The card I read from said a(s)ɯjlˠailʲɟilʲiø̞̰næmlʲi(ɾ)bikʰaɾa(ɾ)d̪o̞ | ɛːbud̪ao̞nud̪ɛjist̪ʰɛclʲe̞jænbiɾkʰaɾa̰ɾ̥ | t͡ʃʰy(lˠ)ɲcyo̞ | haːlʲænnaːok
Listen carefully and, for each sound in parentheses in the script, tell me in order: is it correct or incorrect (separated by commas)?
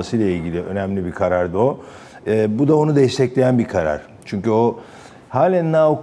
correct, incorrect, correct, incorrect